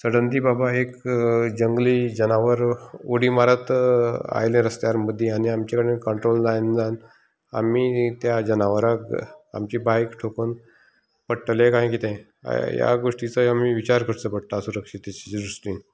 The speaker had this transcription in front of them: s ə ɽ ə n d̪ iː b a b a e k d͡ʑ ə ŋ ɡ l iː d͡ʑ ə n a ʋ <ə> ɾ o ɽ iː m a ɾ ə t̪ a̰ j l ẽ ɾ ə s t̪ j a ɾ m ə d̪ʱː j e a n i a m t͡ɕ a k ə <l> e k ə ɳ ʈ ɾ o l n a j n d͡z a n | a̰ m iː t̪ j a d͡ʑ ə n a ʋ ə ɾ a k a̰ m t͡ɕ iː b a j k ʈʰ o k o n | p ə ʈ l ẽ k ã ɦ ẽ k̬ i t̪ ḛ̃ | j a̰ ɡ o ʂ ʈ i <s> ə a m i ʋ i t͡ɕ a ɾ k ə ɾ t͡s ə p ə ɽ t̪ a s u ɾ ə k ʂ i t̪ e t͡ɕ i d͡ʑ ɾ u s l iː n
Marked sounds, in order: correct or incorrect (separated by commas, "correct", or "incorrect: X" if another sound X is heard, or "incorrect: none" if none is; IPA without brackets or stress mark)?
correct, incorrect: ɽ, incorrect: t͡s